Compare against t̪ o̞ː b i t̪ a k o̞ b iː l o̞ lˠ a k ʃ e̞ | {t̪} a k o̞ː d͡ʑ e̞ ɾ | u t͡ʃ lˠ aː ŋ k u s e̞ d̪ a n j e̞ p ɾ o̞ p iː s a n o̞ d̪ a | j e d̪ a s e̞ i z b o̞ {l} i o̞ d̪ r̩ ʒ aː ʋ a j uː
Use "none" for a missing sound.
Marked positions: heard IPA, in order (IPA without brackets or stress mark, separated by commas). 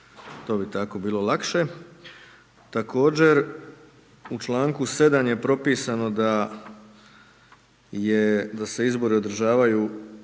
t̪, ɾ